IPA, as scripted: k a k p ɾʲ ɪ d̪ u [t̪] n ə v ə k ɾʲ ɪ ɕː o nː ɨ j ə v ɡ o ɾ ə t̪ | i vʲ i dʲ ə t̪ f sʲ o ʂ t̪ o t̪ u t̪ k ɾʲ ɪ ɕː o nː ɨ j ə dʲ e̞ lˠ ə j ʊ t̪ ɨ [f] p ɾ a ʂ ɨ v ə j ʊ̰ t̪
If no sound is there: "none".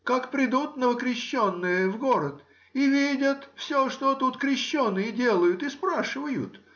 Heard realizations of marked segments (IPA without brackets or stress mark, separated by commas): t̪, s